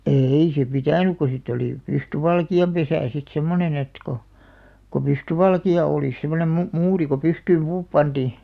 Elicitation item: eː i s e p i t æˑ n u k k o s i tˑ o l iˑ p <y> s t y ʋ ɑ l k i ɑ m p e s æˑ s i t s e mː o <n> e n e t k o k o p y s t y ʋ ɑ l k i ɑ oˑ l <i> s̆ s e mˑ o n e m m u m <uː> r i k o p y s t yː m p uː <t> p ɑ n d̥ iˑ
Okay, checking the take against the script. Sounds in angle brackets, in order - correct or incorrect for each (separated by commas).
correct, correct, correct, correct, incorrect